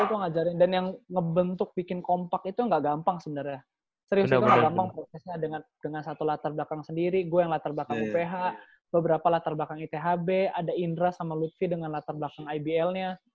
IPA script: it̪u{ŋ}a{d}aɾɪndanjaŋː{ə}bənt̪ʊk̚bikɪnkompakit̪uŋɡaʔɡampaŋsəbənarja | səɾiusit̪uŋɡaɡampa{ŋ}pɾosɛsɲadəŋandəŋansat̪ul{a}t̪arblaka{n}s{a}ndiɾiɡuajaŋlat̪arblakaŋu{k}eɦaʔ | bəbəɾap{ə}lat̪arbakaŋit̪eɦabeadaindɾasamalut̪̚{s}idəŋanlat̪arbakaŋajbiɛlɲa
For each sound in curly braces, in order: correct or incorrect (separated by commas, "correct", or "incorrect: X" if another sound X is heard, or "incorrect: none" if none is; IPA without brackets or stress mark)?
correct, incorrect: d͡ʒ, correct, correct, correct, incorrect: ŋ, incorrect: ə, incorrect: p, incorrect: a, incorrect: f